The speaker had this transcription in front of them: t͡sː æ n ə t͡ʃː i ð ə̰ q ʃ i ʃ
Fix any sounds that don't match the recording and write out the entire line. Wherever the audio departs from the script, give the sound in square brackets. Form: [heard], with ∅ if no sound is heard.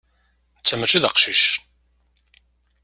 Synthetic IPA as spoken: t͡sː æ [m] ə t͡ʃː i ð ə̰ q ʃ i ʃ